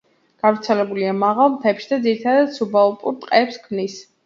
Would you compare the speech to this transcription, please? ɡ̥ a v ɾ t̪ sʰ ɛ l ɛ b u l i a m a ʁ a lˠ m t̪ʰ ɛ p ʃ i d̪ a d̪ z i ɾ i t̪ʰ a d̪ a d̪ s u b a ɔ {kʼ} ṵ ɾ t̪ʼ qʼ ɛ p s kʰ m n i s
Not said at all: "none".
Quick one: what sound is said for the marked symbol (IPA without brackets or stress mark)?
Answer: pʼ